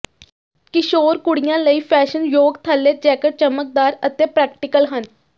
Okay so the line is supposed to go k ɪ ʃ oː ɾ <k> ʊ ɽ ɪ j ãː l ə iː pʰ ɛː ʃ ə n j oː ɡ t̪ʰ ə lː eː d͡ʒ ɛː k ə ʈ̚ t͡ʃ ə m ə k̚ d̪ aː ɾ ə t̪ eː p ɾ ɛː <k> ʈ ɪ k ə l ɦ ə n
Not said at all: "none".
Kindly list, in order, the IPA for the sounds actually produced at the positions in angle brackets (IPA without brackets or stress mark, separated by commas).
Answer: k, k